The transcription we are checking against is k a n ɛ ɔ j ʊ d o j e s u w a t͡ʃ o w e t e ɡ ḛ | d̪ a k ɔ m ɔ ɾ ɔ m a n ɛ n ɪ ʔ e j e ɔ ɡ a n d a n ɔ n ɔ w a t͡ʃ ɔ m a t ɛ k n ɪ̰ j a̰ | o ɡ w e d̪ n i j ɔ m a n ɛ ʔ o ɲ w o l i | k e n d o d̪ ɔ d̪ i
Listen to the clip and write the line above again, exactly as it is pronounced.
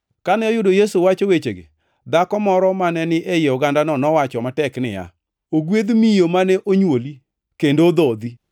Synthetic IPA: k a n ɛ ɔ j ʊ d o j e s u w a t͡ʃ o w e t͡ʃ e ɡ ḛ | d̪ a k ɔ m ɔ ɾ ɔ m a n ɛ n ɪ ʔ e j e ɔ ɡ a n d a n ɔ n ɔ w a t͡ʃ ɔ m a t ɛ k n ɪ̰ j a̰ | o ɡ w e d̪ m i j o m a n ɛ ʔ o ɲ w o l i | k e n d o d̪ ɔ d̪ i